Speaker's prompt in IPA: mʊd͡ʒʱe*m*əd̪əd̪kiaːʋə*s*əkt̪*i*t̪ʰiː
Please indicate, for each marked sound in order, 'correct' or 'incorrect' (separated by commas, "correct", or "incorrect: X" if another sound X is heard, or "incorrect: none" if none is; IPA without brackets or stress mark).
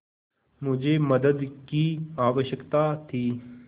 correct, incorrect: ʃ, incorrect: a